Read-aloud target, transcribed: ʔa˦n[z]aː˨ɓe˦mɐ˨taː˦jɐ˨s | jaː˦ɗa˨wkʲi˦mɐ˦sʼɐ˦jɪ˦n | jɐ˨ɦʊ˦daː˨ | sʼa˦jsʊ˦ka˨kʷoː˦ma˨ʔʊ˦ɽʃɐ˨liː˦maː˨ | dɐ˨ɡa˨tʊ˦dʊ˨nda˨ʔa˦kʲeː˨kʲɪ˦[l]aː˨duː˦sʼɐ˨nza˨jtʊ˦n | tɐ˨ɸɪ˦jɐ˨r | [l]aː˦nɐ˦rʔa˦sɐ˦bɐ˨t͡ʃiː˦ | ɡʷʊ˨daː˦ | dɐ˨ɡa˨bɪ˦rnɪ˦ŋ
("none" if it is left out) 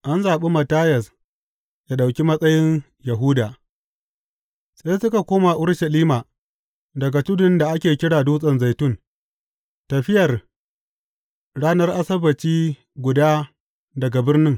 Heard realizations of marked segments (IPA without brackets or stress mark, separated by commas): z, ɽ, ɽ